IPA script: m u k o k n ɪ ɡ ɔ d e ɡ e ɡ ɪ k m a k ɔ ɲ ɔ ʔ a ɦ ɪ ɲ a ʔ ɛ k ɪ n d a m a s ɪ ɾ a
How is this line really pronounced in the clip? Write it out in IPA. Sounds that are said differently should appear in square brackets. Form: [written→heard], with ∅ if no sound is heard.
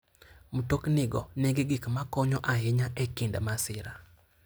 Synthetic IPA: m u [k→t] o k n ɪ ɡ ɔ [d→n] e ɡ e ɡ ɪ k m a k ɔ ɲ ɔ ʔ a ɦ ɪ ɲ a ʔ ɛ k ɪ n d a m a s ɪ ɾ a

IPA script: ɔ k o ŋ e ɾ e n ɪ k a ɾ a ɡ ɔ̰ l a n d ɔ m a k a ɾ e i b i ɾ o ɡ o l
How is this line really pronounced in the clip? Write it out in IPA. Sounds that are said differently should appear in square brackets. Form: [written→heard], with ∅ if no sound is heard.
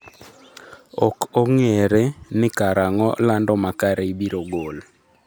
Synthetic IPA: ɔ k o ŋ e ɾ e n ɪ k a ɾ a [ɡ→ŋ] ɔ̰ l a n d ɔ m a k a ɾ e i b i ɾ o ɡ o l

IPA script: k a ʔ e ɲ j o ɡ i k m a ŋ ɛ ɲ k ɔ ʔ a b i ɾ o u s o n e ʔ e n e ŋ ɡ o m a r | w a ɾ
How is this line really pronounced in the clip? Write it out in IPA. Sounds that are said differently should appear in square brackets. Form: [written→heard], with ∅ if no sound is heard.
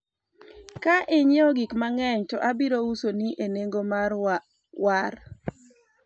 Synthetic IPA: k a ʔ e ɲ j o ɡ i k m a ŋ ɛ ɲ [k→t] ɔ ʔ a b i ɾ o u s o n [e→i] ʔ e n e ŋ ɡ o m a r | w a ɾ

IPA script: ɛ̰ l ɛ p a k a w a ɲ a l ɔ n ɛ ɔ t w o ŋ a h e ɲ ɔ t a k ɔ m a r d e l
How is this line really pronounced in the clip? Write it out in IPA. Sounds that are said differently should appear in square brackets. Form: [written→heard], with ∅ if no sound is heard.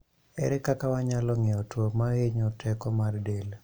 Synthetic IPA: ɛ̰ [l→ɾ] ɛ [p→k] a k a w a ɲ a l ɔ [n→ŋ] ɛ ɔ t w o [ŋ→m] a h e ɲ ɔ t [a→ɛ] k ɔ m a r d e l

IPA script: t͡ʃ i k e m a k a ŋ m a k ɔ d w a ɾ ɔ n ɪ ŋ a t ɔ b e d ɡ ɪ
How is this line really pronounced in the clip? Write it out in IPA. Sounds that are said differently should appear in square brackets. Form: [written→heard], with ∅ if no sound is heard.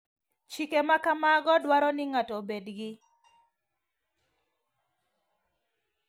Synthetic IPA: t͡ʃ i k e m a k a [ŋ→∅] m a [k→ɡ] ɔ d w a ɾ ɔ n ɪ ŋ a t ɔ b e d ɡ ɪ

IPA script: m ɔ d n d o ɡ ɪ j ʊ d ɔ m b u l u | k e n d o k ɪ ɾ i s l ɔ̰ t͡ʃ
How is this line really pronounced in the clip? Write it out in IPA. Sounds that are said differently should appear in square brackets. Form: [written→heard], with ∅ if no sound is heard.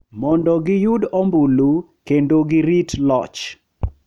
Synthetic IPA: m ɔ [d→∅] n d [o→ɔ] ɡ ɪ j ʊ d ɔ m b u l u | k e n d o [k→ɡ] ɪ ɾ i [s→t] l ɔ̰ t͡ʃ

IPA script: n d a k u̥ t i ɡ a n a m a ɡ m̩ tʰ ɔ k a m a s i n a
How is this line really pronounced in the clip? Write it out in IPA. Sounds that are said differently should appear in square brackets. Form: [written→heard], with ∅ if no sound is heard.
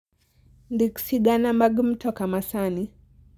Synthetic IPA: n d [a→i] k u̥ [t→s] i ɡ a n a m a ɡ m̩ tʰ ɔ k a m a s [i→a] n [a→i]

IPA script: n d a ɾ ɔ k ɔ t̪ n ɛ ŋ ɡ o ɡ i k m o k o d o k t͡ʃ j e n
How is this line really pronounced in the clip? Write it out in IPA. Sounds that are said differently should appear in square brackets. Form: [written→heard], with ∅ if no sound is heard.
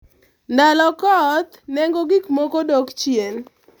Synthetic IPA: n d a [ɾ→l] ɔ k ɔ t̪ n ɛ ŋ ɡ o ɡ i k m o k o d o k t͡ʃ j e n

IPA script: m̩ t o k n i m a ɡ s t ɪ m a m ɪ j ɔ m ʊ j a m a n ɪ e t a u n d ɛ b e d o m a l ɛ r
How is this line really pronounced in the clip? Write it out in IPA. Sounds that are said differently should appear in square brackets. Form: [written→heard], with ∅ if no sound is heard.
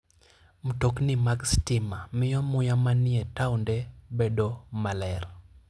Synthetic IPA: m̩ t o k n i m a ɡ s t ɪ m a m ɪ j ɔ m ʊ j a m a n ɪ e t a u n d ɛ b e d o m a l ɛ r

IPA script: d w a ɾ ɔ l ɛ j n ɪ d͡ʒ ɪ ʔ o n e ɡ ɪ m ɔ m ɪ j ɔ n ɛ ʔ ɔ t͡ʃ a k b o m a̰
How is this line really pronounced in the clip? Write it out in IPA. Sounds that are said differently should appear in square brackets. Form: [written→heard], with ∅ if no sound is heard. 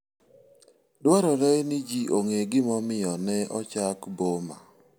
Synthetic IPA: d w a ɾ ɔ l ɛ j n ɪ d͡ʒ [ɪ→i] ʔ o [n→ŋ] e ɡ ɪ m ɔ m ɪ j ɔ n ɛ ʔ ɔ t͡ʃ a k b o m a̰

